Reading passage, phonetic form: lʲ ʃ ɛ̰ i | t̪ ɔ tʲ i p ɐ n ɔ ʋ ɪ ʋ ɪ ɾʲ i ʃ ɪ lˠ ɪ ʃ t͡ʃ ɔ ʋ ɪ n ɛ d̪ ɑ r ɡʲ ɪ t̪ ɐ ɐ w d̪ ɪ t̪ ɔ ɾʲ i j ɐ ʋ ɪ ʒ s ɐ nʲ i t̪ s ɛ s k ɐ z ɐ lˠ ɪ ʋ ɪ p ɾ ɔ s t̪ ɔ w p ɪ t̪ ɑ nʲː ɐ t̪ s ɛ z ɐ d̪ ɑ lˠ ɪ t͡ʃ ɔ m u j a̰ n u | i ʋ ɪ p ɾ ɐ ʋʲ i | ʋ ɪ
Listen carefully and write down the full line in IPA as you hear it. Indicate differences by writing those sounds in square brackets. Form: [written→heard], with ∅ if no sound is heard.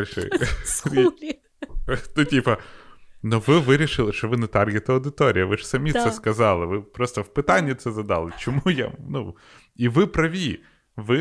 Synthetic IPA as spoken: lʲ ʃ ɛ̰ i | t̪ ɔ tʲ i p ɐ n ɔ ʋ ɪ ʋ ɪ ɾʲ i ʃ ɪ lˠ ɪ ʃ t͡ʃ ɔ ʋ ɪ n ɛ [d̪→t̪] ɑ r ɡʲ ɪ t̪ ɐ ɐ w d̪ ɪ t̪ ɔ ɾʲ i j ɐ ʋ ɪ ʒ s ɐ [nʲ→mʲ] i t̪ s ɛ s k ɐ z [ɐ→ɑ] lˠ ɪ ʋ ɪ p ɾ ɔ s t̪ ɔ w p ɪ t̪ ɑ nʲː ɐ t̪ s ɛ z ɐ d̪ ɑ lˠ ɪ t͡ʃ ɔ m u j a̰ n u | i ʋ ɪ p ɾ ɐ ʋʲ i | ʋ ɪ